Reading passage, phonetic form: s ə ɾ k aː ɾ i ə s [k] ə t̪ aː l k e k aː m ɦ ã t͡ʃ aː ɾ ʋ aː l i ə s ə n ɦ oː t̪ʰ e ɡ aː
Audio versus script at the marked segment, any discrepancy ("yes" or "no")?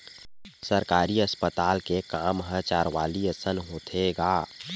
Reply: yes